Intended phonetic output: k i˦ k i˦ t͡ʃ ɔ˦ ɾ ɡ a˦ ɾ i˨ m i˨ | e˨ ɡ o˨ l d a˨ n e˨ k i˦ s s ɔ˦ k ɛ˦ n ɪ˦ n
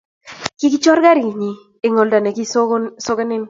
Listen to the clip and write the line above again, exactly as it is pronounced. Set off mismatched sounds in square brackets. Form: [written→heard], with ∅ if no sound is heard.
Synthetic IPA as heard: k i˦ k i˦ t͡ʃ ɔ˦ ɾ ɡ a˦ ɾ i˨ [m→ɲ] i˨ | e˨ [ɡ→ŋ] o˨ l d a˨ n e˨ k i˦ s s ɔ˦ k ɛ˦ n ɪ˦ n